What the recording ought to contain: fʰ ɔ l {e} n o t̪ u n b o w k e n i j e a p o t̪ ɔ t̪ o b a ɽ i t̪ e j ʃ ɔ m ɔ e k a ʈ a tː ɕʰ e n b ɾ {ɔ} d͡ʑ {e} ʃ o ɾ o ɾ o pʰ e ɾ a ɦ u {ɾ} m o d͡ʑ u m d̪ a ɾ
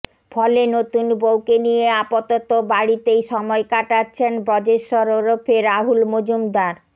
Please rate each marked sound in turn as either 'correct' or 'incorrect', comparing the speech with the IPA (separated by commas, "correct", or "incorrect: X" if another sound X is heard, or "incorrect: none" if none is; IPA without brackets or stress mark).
correct, correct, correct, incorrect: l